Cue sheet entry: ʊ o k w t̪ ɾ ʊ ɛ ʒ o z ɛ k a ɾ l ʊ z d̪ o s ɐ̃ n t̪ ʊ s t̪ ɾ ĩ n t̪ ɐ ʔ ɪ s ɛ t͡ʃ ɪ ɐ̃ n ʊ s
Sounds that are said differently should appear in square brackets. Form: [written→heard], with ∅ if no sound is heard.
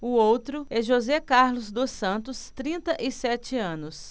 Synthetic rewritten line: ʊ o [k→∅] w t̪ ɾ ʊ ɛ ʒ o z ɛ k a ɾ l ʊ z d̪ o s ɐ̃ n t̪ ʊ s t̪ ɾ ĩ n t̪ ɐ ʔ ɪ s ɛ t͡ʃ ɪ ɐ̃ n ʊ s